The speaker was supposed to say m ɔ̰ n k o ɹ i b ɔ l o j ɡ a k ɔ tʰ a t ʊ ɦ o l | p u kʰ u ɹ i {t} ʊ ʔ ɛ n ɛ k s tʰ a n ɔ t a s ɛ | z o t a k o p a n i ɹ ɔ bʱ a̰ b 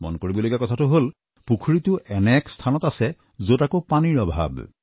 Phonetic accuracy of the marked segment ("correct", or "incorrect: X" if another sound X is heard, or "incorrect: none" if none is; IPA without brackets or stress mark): correct